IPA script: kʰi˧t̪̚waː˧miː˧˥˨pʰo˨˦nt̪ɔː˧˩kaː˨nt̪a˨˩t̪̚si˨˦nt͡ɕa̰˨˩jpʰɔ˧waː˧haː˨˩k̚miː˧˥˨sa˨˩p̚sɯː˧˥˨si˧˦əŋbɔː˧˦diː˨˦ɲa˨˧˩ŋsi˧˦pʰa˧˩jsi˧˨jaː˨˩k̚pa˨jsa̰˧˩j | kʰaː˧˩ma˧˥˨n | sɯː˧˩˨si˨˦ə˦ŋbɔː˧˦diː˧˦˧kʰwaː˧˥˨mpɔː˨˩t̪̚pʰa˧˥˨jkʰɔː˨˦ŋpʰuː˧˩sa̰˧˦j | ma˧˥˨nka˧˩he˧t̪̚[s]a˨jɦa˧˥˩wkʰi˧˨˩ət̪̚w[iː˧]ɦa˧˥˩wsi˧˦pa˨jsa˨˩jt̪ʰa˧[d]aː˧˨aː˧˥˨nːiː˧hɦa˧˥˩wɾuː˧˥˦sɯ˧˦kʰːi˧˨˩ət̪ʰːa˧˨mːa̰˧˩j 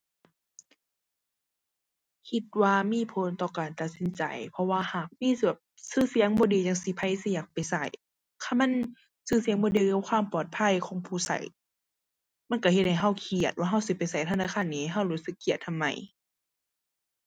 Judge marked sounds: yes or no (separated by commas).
no, no, no